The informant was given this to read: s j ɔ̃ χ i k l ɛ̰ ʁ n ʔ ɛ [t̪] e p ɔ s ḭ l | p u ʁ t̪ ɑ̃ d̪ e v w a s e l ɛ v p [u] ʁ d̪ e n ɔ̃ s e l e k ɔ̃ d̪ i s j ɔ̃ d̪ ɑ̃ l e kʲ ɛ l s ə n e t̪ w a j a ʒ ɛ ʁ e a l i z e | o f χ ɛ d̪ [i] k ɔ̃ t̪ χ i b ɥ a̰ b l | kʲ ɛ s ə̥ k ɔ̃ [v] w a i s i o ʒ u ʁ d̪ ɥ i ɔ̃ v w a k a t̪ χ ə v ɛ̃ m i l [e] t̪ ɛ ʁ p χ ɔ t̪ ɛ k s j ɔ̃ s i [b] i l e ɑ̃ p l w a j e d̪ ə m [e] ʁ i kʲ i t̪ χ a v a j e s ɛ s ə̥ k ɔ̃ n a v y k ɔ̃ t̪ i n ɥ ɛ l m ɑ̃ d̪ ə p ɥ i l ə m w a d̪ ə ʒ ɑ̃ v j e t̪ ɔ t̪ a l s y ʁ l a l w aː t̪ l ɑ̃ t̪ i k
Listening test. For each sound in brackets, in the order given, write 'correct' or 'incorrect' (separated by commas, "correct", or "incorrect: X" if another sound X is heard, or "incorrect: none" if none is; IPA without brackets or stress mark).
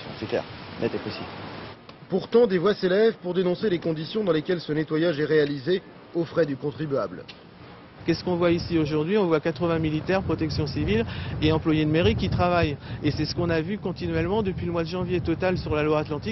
correct, correct, incorrect: y, correct, incorrect: i, incorrect: v, correct